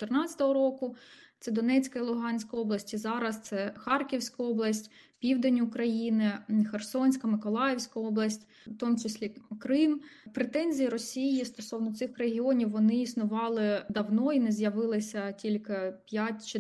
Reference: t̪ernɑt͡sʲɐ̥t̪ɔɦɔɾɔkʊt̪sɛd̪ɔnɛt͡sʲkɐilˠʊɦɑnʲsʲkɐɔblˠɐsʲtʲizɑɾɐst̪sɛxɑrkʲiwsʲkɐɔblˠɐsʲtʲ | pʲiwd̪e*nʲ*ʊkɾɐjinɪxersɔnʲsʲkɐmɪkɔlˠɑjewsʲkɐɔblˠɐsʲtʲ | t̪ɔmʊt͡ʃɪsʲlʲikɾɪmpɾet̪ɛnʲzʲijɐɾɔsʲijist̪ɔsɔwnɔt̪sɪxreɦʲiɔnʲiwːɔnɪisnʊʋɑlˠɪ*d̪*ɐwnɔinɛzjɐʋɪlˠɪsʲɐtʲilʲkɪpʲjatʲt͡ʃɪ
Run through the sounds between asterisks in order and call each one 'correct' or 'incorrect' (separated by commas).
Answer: correct, correct